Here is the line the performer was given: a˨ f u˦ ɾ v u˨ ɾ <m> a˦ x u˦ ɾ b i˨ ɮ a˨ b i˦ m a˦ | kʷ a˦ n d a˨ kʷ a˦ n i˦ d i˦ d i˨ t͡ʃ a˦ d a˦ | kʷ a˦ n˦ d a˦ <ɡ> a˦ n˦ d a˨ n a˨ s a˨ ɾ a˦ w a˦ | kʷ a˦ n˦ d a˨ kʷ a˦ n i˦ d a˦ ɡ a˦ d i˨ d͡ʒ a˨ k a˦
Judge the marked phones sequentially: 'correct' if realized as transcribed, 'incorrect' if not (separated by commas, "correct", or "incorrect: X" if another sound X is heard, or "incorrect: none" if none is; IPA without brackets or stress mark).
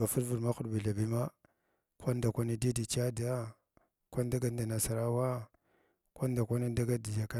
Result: correct, correct